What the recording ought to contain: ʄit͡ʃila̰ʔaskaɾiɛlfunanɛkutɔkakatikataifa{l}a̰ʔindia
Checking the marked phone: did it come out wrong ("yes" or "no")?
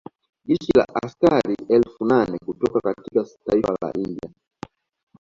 no